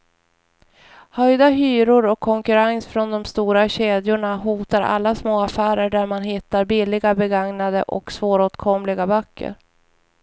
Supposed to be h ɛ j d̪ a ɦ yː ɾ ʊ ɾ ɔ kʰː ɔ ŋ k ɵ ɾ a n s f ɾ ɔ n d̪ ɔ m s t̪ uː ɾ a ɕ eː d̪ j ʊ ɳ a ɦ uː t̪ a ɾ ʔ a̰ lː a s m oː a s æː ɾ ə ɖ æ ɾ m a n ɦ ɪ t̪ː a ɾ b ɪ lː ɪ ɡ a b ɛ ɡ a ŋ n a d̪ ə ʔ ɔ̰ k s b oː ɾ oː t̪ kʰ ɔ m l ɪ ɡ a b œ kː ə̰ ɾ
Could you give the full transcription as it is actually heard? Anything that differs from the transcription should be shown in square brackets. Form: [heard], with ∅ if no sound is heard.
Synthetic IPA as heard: h [œ] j d̪ a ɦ yː ɾ ʊ ɾ ɔ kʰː ɔ ŋ k ɵ ɾ a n s f ɾ ɔ n d̪ ɔ m s t̪ uː ɾ a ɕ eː d̪ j ʊ ɳ a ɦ uː t̪ a ɾ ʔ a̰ lː a s m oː a [f] æː ɾ ə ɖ æ ɾ m a n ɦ ɪ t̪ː a ɾ b ɪ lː ɪ ɡ a b ɛ ɡ a ŋ n a d̪ ə ʔ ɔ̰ k s [v] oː ɾ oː t̪ kʰ ɔ m l ɪ ɡ a b œ kː ə̰ ɾ